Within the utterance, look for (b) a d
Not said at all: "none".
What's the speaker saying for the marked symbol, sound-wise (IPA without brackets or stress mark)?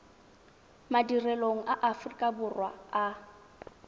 m